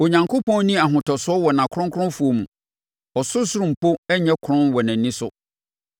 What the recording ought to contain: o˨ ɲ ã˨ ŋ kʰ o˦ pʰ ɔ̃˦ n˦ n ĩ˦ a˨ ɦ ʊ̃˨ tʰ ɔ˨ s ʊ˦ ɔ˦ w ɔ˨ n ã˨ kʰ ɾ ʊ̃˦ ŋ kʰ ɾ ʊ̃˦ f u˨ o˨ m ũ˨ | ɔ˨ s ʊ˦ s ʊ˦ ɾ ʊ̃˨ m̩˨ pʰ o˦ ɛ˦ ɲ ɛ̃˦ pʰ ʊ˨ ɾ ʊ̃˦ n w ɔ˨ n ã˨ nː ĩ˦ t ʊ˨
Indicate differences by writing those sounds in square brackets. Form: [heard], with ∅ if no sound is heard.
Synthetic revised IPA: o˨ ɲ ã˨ ŋ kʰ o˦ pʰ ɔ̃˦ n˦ n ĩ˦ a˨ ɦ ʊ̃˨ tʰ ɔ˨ s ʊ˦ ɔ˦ w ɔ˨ n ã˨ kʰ ɾ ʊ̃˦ ŋ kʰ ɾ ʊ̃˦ f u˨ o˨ m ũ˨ | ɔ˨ s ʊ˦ s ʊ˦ ɾ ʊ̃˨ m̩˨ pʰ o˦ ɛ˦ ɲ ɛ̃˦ [kʰ] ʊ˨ ɾ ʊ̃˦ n w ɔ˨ n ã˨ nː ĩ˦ [s] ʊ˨